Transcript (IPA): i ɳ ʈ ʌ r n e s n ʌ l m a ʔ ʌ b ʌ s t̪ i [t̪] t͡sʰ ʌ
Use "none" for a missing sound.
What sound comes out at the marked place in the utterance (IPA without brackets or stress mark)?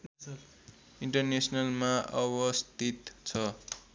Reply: t̪